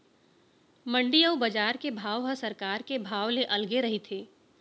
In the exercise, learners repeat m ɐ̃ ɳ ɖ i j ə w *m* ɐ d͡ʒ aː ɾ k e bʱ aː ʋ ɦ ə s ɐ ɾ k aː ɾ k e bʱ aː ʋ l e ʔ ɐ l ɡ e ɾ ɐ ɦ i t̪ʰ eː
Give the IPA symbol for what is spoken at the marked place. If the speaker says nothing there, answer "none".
b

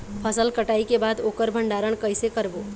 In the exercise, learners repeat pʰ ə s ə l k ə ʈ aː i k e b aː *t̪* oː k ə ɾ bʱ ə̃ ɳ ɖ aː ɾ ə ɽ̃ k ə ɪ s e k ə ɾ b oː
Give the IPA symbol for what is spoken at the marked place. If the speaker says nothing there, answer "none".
d̪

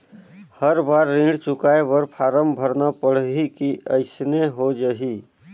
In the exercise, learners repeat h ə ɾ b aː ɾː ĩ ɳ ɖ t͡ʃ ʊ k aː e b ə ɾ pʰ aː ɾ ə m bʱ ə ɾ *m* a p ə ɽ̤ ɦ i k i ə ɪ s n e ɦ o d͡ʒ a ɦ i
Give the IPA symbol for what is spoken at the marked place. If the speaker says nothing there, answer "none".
n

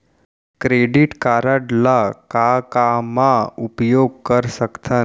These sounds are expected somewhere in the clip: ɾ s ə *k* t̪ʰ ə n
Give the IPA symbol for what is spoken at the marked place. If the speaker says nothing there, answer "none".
k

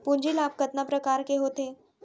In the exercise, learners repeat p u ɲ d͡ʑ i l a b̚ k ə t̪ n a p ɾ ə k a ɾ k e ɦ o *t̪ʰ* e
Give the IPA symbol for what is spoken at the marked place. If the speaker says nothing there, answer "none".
t̪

